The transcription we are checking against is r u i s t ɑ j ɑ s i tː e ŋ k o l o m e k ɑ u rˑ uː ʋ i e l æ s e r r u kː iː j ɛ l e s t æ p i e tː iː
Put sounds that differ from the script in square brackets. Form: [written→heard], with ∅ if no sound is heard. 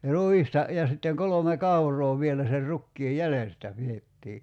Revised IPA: r u i s t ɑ j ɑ s i tː e ŋ k o l o m e k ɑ u rˑ [uː→oː] ʋ i e l æ s e r r u kː iː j [ɛ→æ] l e s t æ p i e tː iː